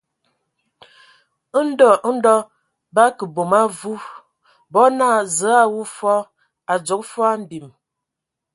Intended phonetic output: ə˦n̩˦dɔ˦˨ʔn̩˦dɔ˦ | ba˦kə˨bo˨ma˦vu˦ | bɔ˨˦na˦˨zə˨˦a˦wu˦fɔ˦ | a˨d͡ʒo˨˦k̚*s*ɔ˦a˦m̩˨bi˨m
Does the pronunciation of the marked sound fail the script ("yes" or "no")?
yes